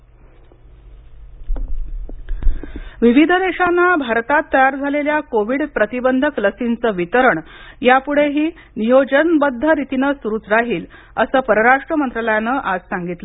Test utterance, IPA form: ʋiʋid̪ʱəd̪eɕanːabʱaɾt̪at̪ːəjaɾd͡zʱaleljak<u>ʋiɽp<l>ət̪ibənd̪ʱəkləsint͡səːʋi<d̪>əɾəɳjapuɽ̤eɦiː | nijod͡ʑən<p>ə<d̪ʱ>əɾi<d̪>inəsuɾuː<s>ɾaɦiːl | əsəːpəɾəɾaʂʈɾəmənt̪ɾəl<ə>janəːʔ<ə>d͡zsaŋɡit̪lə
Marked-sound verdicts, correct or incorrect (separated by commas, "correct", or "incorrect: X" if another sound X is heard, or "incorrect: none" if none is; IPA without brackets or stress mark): incorrect: o, incorrect: ɾ, incorrect: t̪, incorrect: b, incorrect: d̪ʱː, incorrect: t̪, incorrect: t͡s, correct, incorrect: a